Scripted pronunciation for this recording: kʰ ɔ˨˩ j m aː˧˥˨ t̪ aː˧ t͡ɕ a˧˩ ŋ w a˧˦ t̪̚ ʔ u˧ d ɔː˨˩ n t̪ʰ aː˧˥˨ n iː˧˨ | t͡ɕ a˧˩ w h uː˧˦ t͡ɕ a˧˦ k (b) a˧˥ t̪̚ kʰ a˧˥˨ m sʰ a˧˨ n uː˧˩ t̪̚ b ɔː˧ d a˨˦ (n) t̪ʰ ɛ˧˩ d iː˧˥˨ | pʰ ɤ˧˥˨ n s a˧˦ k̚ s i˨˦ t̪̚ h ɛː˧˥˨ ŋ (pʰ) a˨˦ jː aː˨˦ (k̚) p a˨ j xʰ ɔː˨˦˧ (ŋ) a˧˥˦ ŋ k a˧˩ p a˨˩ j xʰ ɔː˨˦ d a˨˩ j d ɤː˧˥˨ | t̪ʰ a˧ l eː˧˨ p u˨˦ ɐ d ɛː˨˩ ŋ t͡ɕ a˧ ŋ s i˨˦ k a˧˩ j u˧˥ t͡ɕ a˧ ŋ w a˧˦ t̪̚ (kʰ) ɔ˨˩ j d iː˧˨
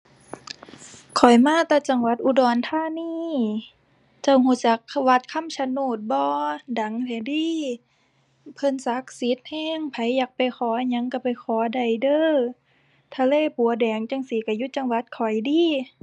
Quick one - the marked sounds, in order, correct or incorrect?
incorrect, incorrect, correct, correct, incorrect, correct

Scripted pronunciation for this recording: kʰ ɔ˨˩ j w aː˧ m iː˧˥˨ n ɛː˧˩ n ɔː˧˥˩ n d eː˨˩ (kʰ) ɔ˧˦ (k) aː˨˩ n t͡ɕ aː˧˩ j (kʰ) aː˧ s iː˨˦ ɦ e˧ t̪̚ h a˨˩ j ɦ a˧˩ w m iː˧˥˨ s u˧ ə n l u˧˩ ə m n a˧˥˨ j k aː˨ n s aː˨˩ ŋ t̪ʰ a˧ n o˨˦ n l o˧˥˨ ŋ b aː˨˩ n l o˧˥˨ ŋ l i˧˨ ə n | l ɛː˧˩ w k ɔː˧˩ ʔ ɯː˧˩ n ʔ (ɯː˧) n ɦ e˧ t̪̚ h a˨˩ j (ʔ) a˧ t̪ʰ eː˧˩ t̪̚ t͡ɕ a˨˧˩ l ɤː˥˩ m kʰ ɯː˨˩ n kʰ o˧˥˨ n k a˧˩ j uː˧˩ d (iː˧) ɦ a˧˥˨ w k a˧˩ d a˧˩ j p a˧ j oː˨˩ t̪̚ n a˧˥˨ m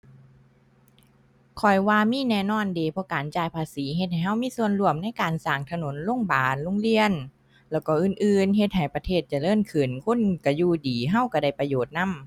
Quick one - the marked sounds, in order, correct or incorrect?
incorrect, correct, incorrect, correct, incorrect, incorrect

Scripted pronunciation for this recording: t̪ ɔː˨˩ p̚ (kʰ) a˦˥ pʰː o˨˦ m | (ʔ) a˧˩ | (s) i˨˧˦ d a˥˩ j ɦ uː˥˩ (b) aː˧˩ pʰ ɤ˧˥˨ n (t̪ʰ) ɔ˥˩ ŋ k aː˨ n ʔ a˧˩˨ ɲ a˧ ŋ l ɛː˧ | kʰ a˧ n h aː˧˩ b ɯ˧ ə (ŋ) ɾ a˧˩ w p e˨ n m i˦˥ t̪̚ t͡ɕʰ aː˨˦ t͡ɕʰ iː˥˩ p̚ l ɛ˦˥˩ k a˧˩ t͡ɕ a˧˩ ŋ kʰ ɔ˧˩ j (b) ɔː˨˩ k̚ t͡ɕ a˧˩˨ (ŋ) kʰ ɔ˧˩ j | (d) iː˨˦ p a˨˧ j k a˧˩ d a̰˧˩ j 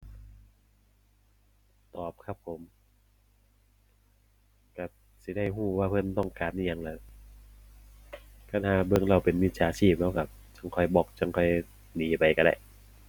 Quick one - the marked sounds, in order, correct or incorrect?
correct, incorrect, correct, incorrect, incorrect, correct, correct, correct, incorrect

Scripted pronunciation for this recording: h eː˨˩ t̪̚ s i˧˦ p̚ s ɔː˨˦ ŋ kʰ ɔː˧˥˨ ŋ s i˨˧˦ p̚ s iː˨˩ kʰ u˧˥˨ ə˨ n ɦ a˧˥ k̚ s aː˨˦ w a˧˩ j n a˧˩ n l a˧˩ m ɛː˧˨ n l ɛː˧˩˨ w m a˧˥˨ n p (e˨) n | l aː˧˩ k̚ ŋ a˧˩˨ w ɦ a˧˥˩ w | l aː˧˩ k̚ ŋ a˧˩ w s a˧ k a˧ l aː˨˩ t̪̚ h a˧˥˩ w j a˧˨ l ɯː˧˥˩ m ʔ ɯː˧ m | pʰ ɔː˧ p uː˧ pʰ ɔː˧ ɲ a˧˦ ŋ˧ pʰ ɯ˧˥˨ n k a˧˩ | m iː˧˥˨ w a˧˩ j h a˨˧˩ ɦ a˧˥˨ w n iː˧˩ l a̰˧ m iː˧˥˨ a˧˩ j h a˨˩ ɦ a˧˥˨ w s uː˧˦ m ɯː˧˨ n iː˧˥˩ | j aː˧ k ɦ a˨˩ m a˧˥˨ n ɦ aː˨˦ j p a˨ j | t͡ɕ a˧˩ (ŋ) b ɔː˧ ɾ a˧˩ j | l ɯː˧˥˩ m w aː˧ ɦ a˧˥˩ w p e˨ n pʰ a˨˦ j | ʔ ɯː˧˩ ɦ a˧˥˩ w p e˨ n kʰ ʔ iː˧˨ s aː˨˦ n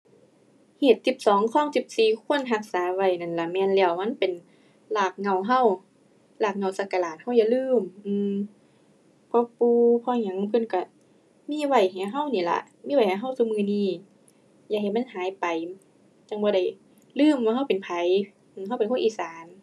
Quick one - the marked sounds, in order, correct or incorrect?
correct, correct

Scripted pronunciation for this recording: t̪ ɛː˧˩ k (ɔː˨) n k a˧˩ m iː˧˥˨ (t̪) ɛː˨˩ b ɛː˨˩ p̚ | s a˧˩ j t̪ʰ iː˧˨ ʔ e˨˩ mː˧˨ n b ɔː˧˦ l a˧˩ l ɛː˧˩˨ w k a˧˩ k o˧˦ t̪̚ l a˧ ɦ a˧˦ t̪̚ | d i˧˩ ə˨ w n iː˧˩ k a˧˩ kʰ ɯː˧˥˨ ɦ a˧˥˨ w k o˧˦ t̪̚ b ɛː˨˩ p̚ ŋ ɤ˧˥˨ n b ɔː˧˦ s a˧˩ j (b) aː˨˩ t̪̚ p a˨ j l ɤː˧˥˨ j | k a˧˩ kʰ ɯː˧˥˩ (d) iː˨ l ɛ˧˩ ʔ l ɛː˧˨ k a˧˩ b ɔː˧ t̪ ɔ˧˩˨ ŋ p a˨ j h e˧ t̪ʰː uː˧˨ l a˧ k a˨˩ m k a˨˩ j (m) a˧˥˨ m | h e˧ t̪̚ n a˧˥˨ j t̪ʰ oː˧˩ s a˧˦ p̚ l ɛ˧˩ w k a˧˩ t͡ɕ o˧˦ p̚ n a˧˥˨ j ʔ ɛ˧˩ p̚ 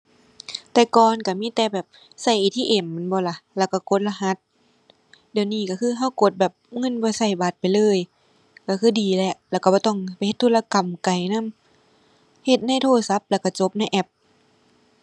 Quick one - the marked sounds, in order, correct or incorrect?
correct, correct, correct, correct, incorrect

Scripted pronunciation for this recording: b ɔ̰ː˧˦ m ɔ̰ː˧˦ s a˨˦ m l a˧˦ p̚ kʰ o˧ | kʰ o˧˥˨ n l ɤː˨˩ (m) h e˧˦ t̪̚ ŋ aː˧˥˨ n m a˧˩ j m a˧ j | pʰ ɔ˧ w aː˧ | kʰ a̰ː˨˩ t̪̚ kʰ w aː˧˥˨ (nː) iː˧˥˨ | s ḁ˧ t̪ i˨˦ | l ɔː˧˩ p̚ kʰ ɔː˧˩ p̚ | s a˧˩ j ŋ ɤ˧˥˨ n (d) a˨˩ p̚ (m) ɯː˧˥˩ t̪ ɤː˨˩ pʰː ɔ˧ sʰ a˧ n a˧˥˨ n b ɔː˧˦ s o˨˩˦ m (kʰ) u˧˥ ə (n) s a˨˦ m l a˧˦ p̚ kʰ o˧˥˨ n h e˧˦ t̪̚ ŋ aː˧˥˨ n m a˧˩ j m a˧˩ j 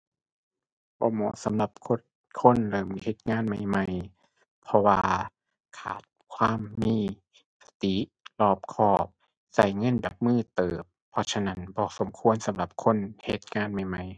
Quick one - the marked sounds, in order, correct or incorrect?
correct, incorrect, correct, correct, correct, correct

